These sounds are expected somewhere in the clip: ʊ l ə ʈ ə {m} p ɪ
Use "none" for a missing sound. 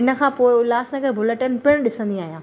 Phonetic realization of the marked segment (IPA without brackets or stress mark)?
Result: n